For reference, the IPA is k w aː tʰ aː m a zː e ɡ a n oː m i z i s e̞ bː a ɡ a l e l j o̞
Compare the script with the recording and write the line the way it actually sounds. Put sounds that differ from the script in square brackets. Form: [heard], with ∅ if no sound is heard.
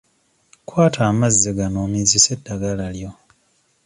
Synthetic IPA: k w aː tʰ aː m a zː e ɡ a n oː m i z i s e̞ [dː] a ɡ a l [a] l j o̞